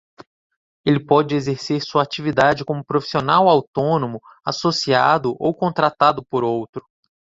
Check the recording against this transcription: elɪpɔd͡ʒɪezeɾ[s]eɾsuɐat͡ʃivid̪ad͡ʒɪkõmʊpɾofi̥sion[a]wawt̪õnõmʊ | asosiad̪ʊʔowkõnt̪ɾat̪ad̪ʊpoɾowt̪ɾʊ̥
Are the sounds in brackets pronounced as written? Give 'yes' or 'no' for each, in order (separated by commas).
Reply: yes, yes